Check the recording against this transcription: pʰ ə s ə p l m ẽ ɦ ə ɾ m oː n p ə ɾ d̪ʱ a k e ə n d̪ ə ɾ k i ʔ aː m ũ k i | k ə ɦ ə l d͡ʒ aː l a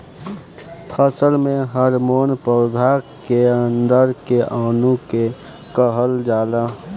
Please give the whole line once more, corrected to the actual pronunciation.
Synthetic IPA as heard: pʰ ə s ə l m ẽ ɦ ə ɾ m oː n p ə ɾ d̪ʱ a k e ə n d̪ ə ɾ k e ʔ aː n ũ k e | k ə ɦ ə l d͡ʒ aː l a